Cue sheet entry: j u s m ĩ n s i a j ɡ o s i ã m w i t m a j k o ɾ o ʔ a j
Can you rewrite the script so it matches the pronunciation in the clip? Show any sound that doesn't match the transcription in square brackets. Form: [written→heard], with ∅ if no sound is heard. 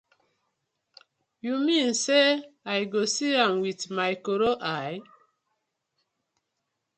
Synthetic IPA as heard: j u [s→∅] m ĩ n s [i→e] a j ɡ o s i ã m w i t m a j k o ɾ o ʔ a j